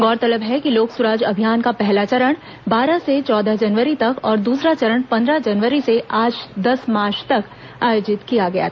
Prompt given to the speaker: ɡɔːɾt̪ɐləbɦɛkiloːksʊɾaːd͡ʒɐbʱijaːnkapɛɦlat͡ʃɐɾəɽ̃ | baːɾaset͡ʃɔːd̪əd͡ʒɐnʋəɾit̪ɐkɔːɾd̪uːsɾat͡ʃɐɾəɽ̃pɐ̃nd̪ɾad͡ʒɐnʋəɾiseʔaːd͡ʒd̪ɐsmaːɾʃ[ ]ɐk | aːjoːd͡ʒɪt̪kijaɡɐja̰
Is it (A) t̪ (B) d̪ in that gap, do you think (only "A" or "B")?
A